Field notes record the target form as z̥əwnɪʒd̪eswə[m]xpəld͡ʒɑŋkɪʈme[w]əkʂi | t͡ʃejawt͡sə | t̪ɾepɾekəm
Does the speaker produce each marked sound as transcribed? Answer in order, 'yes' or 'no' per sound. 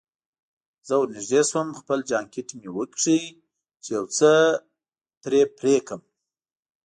yes, yes

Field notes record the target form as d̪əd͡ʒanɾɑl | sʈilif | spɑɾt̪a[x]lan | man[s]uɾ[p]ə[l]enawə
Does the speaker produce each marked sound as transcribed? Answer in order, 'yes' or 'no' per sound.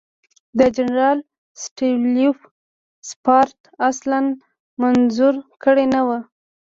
no, no, no, no

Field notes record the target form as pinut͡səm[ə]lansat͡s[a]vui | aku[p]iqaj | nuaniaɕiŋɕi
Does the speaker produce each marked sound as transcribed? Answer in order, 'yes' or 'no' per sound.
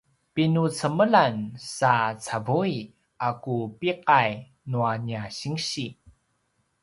yes, yes, yes

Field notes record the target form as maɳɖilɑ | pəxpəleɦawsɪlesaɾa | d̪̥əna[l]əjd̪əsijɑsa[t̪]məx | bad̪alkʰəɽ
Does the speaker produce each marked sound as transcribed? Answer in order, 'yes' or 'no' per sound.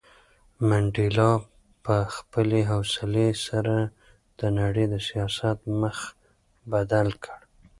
no, yes

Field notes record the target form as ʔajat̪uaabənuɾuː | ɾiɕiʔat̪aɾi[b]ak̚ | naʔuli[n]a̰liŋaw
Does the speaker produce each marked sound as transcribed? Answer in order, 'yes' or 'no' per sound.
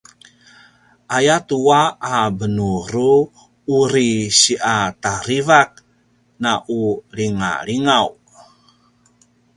no, no

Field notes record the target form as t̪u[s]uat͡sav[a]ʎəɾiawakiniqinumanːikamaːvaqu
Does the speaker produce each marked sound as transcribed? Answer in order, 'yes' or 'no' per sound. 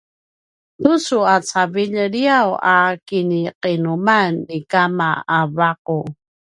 yes, no

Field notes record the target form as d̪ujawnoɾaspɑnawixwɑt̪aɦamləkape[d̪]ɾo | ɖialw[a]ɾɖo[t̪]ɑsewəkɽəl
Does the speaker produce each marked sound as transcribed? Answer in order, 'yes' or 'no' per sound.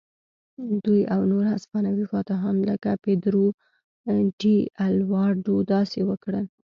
yes, no, no

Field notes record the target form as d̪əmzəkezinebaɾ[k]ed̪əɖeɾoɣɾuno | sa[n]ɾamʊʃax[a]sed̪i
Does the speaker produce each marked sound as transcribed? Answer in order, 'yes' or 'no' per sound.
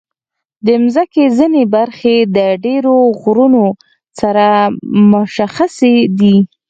no, no, yes

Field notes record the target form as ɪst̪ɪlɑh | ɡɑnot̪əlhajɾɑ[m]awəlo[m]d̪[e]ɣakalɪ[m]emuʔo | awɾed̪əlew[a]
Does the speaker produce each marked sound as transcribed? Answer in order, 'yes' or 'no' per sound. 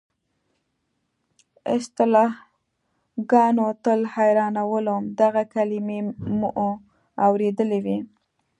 no, yes, no, yes, no

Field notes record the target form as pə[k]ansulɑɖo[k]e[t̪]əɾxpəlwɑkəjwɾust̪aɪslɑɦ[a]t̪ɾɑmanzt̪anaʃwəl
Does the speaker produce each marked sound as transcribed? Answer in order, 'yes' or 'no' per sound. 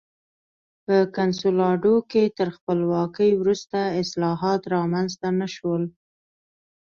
yes, yes, yes, no

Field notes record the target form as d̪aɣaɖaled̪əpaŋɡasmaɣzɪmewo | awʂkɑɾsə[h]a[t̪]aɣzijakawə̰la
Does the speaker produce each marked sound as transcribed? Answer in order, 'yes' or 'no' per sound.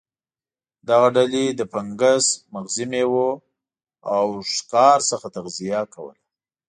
no, yes

